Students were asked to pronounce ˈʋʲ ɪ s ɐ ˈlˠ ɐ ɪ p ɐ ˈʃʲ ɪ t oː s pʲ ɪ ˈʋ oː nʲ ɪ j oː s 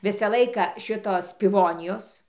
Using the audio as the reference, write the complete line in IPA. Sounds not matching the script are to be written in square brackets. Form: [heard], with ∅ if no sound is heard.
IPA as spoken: ˈʋʲ ɪ s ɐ ˈlˠ ɐ ɪ [k] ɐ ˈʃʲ ɪ t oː s pʲ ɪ ˈʋ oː nʲ ɪ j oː s